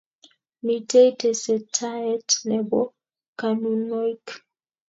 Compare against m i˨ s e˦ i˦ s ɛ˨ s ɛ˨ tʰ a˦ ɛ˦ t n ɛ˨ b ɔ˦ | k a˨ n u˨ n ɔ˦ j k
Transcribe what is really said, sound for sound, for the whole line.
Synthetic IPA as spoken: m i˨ t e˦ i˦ t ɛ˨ s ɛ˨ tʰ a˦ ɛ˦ t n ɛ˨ b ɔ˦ | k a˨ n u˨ n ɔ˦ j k

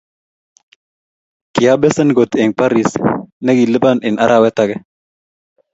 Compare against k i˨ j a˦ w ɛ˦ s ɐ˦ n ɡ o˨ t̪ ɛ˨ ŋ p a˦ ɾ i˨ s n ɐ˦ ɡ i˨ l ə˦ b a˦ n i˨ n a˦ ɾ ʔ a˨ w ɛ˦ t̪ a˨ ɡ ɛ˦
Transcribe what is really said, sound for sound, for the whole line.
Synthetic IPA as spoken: k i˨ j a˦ b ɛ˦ s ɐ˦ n ɡ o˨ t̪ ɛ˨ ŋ p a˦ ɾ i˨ s n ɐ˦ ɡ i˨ l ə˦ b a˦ n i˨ n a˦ ɾ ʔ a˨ w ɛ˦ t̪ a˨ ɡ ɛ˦

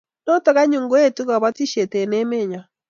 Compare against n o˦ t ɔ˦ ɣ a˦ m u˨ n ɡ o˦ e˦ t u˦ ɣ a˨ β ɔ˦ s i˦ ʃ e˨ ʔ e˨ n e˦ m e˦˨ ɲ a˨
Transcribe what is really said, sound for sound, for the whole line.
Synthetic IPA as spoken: n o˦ t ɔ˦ ɣ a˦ ɲ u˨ ŋ ɡ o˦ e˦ t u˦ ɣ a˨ β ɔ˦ t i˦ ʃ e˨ t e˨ n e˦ m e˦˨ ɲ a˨

